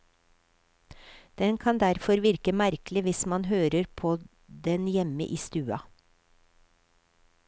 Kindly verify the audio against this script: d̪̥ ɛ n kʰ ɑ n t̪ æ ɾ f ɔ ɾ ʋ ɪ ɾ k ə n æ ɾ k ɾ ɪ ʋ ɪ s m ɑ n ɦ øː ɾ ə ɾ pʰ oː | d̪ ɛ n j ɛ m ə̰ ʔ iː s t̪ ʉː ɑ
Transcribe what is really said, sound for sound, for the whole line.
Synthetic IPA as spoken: d̪̥ ɛ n kʰ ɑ n d̪ æ ɾ f ɔ ɾ ʋ ɪ ɾ k ə m æ ɾ k l ɪ ʋ ɪ s m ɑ n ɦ øː ɾ ə ɾ pʰ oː | d̪ ɛ n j ɛ m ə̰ ʔ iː s t̪ ʉː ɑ

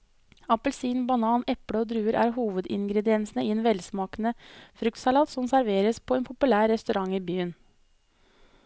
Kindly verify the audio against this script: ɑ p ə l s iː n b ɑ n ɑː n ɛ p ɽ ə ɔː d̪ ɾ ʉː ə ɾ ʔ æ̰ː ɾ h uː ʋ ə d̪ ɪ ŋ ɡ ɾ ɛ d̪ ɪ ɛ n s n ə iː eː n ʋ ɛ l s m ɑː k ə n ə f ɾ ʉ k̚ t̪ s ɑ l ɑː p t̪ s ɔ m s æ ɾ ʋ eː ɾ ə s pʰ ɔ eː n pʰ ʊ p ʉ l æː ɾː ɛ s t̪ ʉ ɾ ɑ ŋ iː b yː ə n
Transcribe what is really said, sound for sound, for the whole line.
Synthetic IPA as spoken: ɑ p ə l s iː n b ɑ n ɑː n ɛ p ɽ ə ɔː d̪ ɾ ʉː ə ɾ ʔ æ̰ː ɾ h uː ʋ ə d̪ ɪ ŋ ɡ ɾ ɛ d̪ ɪ ɛ n s n ə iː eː n ʋ ɛ l s m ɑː k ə n ə f ɾ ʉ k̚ t̪ s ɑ l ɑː t̪ s ɔ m s æ ɾ ʋ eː ɾ ə s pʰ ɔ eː n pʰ ʊ p ʉ l æː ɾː ɛ s t̪ ʉ ɾ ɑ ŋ iː b yː ə n

